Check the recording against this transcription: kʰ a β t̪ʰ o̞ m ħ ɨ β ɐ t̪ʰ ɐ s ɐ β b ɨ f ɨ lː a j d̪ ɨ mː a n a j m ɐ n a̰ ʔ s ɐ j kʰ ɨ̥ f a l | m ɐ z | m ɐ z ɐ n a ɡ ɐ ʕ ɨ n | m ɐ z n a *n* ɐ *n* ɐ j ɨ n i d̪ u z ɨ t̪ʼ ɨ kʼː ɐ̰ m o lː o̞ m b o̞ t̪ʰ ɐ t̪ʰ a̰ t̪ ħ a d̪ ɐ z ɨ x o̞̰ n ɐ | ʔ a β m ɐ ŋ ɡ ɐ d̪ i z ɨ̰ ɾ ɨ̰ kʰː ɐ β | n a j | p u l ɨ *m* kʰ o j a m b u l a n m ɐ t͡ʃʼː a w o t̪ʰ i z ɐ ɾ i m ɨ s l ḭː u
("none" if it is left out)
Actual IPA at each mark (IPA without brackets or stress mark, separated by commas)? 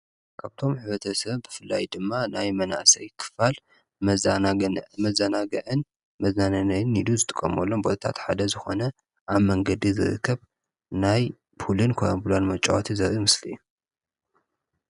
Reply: n, n, n